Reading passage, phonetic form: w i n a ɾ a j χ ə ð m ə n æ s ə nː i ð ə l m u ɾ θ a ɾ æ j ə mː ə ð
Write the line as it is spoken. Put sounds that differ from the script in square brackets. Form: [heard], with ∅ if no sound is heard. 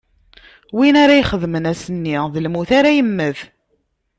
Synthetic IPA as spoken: w i n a ɾ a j χ ə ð m ə n æ s ə nː i ð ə l m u [∅] θ a ɾ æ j ə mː ə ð